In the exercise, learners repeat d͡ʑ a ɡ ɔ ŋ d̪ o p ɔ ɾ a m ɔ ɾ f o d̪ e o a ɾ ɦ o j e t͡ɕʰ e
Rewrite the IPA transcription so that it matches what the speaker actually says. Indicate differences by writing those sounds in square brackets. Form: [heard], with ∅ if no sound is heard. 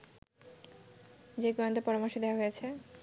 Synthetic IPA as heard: d͡ʑ [e] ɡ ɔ [n] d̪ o p ɔ ɾ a m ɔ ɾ [ʃ] o d̪ e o a [∅] ɦ o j e t͡ɕʰ e